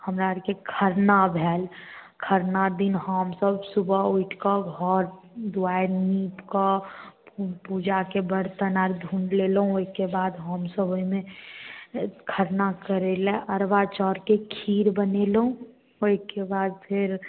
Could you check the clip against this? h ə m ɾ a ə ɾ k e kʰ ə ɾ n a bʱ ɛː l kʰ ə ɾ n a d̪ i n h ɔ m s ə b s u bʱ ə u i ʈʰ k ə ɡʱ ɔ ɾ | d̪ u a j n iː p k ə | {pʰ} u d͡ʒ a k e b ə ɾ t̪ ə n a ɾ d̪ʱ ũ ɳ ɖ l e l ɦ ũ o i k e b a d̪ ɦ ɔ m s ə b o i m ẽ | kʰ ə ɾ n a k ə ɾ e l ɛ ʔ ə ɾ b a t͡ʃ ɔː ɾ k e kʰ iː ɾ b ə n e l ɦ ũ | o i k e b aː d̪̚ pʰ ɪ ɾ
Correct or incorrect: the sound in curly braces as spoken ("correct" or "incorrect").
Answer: incorrect